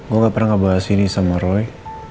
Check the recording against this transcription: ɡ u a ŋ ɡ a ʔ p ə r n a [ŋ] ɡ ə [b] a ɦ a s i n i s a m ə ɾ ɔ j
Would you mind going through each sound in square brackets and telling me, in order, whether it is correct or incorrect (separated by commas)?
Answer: correct, correct